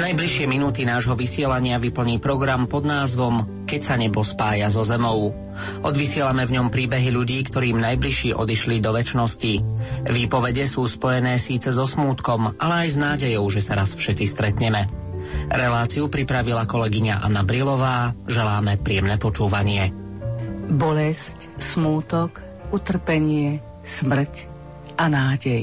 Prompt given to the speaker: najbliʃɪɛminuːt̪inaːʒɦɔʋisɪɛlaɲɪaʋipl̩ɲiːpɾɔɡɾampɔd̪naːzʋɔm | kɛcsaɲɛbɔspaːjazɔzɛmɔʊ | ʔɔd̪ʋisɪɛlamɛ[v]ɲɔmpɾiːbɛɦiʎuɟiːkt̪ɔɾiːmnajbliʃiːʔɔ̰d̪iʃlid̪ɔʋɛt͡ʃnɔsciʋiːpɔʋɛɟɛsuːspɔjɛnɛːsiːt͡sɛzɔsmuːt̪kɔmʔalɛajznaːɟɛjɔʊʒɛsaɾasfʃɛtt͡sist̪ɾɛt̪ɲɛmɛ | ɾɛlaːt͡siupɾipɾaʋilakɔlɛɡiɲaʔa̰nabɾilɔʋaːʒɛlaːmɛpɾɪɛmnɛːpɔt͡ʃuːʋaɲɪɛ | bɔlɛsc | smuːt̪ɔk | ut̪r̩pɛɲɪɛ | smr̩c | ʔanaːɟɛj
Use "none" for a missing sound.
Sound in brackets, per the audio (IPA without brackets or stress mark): v